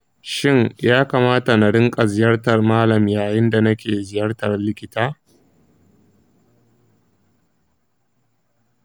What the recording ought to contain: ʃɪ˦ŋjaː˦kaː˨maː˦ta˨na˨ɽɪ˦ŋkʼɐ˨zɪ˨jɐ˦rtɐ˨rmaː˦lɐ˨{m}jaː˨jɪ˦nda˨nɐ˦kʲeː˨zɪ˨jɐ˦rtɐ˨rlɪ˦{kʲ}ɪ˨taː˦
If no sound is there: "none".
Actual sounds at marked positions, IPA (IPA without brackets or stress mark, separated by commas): m, kʲ